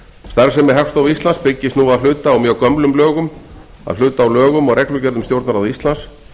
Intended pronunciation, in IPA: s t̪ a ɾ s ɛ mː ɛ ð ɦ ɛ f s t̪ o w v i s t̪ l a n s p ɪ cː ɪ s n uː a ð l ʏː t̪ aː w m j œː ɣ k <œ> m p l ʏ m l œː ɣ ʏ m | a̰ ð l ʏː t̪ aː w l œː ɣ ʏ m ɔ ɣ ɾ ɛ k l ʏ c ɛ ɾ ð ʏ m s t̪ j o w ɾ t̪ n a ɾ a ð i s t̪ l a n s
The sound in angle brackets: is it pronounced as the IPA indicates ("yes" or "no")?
yes